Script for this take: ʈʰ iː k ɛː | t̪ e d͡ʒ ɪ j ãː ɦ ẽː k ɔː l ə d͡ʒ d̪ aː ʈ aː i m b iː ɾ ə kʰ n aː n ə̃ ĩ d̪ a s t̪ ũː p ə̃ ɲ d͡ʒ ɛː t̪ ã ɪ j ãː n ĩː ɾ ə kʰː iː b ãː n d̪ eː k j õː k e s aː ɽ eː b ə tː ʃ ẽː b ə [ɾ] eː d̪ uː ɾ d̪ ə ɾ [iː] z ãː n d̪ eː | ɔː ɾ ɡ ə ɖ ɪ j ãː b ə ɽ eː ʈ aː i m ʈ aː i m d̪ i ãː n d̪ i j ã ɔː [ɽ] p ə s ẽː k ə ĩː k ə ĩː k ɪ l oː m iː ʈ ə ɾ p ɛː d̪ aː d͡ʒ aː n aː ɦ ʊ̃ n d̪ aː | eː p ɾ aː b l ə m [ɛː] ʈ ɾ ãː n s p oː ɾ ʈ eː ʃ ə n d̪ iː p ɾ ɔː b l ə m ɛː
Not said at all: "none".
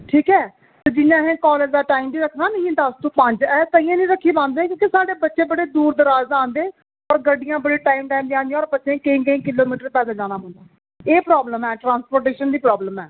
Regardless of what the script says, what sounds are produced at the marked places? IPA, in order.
ɽ, aː, ɾ, ɛː

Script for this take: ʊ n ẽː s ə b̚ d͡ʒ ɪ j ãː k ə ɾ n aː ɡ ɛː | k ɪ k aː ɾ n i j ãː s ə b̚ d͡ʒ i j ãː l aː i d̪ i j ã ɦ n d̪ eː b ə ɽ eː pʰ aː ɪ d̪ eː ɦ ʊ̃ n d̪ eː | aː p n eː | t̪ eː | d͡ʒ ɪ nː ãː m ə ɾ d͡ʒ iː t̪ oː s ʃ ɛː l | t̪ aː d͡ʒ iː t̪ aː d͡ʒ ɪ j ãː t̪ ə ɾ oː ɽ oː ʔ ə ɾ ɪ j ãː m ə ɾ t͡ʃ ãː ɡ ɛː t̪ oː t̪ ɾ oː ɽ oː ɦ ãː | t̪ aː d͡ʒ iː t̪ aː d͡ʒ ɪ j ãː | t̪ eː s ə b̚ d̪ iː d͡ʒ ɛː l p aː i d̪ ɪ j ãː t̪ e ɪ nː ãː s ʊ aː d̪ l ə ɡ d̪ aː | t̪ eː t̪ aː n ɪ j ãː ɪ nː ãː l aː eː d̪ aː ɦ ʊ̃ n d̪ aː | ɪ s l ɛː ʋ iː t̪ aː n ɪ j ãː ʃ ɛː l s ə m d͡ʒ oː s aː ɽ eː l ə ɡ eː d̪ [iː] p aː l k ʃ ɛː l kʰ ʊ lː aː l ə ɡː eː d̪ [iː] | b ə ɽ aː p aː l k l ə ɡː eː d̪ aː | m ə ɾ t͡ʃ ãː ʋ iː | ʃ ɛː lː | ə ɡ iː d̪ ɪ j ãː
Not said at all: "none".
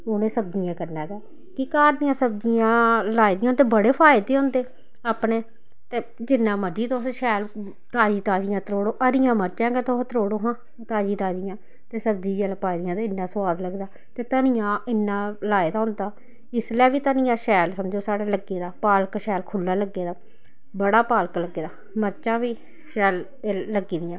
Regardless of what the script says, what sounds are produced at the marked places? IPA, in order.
aː, aː

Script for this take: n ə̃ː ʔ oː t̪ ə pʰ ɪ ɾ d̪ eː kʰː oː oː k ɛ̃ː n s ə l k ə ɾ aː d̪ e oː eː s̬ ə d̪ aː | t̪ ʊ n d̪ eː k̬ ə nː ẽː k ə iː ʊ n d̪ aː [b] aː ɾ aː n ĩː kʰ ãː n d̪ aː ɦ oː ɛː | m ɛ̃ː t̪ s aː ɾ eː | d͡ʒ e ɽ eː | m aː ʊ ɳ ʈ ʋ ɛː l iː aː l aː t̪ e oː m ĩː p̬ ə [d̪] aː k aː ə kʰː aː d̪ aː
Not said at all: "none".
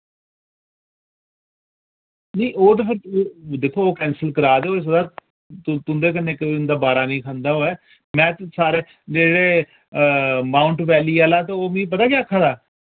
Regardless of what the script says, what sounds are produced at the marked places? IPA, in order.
b, t̪

